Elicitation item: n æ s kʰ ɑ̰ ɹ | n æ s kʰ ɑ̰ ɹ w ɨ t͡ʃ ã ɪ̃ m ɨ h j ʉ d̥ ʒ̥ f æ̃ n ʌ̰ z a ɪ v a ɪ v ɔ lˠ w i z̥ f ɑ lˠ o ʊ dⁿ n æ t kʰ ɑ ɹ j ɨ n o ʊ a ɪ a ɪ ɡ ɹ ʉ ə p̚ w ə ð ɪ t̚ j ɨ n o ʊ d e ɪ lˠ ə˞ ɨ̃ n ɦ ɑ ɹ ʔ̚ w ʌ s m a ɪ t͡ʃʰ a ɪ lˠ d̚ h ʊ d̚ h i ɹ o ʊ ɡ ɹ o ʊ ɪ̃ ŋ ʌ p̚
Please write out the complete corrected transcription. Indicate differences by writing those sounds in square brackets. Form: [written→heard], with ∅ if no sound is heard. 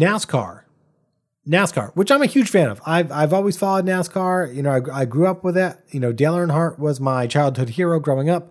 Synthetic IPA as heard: n æ s kʰ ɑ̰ ɹ | n æ s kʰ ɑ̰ ɹ w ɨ t͡ʃ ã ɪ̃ m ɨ h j ʉ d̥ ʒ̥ f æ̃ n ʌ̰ [z→v] a ɪ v a ɪ v ɔ lˠ w i z̥ f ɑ lˠ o ʊ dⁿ n æ [t→s] kʰ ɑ ɹ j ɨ n o ʊ a ɪ a ɪ ɡ ɹ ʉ [ə→ʌ] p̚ w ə ð ɪ t̚ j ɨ n o ʊ d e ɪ lˠ ə˞ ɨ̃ n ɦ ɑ ɹ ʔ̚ w ʌ [s→z] m a ɪ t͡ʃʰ a ɪ lˠ d̚ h ʊ d̚ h i ɹ o ʊ ɡ ɹ o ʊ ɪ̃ ŋ ʌ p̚